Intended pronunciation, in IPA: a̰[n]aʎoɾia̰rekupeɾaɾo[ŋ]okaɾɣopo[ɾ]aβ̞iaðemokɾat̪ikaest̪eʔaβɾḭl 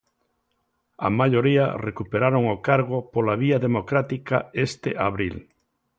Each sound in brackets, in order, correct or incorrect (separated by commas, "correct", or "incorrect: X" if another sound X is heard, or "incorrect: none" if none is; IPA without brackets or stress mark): incorrect: m, correct, incorrect: l